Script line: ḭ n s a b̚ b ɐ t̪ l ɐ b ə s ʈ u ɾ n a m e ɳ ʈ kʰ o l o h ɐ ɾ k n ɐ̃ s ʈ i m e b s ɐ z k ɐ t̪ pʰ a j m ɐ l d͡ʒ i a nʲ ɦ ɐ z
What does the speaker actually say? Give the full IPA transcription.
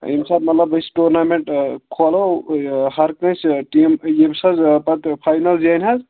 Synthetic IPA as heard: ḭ m s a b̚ m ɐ t̪ l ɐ b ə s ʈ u ɾ n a m e ɳ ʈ kʰ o l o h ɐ ɾ k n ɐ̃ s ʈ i m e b s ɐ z p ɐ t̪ pʰ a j n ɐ l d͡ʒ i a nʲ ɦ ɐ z